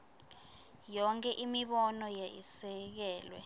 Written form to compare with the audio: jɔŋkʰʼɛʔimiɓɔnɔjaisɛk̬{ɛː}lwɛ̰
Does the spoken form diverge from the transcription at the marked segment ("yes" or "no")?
no